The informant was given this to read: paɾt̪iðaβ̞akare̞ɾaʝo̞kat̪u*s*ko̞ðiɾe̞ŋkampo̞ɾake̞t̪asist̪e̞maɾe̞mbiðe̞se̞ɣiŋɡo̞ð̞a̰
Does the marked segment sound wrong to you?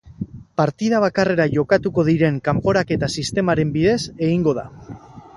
yes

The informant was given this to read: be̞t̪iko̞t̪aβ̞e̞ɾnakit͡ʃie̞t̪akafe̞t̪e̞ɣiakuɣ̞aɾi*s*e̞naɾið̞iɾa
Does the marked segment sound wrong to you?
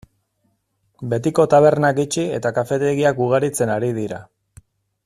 yes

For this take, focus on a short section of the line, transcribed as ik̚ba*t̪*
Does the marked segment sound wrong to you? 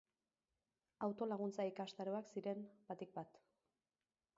no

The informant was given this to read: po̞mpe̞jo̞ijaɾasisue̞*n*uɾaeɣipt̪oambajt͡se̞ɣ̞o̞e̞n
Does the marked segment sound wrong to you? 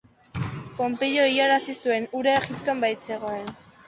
no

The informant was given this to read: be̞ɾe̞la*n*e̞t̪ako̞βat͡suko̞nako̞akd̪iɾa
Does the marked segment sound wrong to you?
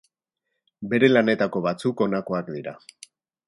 no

